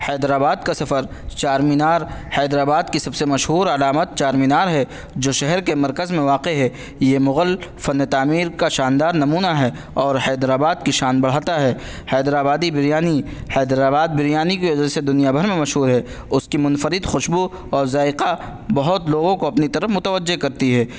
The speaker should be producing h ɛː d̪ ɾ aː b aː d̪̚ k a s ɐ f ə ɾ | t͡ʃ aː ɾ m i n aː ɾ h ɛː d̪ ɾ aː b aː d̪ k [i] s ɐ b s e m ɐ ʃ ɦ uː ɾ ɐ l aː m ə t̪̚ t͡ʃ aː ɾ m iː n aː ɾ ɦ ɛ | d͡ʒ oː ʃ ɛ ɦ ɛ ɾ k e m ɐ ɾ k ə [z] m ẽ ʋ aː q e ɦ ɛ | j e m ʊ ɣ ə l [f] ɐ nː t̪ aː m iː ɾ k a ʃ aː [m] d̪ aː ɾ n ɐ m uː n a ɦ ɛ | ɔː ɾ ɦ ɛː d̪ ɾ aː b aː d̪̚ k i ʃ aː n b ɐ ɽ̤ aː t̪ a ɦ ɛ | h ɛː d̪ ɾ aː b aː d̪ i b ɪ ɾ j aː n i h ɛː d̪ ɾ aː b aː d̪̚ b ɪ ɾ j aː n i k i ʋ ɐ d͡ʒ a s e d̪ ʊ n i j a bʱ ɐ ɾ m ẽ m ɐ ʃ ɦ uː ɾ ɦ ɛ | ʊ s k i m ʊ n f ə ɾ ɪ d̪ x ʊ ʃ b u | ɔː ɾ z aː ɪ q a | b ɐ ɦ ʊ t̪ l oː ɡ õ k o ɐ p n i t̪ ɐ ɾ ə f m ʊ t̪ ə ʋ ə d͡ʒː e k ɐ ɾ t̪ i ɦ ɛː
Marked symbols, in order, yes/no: yes, yes, yes, no

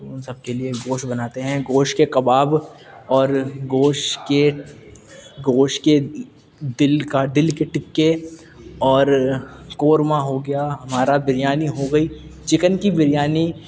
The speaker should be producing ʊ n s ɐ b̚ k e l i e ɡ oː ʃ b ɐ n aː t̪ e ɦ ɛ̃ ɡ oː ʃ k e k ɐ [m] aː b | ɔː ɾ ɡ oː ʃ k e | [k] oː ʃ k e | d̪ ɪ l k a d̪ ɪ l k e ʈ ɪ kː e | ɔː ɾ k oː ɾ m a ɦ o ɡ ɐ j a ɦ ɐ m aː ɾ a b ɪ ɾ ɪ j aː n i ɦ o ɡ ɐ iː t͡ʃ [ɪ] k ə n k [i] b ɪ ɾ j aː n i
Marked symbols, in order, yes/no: no, no, yes, yes

